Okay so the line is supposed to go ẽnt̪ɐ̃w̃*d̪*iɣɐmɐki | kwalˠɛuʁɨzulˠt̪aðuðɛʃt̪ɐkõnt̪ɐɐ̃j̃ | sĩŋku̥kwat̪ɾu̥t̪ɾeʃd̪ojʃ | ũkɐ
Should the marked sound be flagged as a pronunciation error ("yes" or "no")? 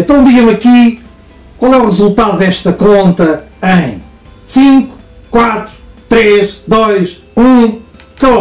no